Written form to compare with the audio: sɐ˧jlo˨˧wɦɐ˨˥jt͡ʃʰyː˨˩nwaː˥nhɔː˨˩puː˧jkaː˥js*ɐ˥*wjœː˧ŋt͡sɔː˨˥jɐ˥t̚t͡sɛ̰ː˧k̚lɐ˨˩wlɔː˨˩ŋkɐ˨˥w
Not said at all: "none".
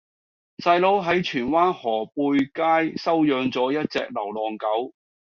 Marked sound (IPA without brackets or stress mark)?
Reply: ɐ˥